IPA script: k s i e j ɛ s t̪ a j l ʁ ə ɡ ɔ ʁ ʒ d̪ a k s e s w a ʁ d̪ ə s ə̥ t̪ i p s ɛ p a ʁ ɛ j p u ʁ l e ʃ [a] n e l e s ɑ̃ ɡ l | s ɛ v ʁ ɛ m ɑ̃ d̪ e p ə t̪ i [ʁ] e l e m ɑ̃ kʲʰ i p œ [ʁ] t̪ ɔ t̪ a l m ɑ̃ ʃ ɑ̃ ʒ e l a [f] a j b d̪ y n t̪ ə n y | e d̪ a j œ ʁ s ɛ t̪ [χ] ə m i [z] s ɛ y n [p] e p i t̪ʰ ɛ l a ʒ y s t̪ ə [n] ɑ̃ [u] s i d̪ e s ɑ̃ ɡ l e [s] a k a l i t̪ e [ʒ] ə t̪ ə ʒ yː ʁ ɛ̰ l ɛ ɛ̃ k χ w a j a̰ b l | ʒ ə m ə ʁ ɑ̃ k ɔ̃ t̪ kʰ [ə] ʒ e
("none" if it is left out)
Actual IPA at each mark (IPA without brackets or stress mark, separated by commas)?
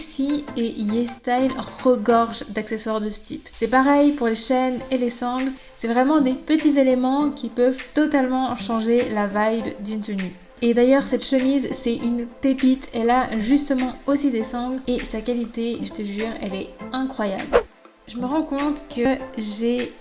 ɛ, z, v, v, ʃ, z, p, m, o, s, ʒ, ə